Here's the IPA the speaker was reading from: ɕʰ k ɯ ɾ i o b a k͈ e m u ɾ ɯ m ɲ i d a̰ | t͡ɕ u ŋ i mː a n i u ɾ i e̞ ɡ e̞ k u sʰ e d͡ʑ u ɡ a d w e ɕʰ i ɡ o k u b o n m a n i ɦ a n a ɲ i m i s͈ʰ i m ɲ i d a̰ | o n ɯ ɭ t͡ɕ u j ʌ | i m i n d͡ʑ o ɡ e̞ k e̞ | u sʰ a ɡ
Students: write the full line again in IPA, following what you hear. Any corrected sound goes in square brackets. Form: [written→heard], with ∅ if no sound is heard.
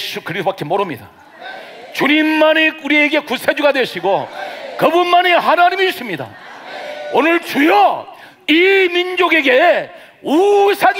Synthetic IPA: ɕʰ k ɯ ɾ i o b a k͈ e m [u→o] ɾ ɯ m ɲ i d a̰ | t͡ɕ u [ŋ→ɲ] i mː a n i u ɾ i e̞ ɡ e̞ k u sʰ e d͡ʑ u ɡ a d w e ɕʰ i ɡ o k [u→ɯ] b [o→u] n m a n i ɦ a n a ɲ i m i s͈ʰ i m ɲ i d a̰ | o n ɯ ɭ t͡ɕ u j ʌ | i m i n d͡ʑ o ɡ e̞ [k→ɡ] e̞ | u sʰ a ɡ